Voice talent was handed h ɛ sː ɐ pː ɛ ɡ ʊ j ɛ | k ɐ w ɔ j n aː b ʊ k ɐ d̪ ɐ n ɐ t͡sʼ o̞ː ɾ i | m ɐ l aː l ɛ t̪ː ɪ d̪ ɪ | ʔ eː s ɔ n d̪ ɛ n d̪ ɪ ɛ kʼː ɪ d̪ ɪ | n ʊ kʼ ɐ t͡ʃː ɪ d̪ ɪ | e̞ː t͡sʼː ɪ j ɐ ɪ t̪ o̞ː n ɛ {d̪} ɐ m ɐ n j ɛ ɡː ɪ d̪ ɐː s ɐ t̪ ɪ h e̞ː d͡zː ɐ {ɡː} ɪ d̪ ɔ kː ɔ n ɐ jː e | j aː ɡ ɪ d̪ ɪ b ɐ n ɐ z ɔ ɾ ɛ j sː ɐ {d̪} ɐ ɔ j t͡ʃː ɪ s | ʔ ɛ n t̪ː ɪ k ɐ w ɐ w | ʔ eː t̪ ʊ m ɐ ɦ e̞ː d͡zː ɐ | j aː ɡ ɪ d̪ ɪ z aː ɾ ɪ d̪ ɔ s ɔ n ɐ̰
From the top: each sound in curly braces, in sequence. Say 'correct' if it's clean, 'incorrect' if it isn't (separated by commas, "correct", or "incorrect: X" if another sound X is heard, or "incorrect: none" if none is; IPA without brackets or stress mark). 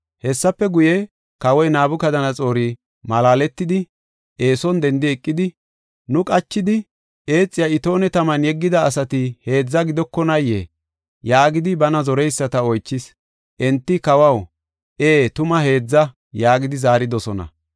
incorrect: t̪, incorrect: ɡ, incorrect: t̪